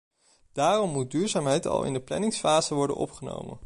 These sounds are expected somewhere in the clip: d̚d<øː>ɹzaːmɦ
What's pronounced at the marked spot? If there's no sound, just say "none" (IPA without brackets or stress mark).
yː